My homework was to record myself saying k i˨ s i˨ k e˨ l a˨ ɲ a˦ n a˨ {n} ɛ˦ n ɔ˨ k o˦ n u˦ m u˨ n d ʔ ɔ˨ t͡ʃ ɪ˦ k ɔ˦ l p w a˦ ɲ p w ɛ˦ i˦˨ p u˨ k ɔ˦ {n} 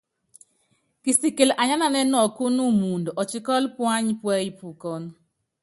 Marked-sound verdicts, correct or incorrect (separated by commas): correct, correct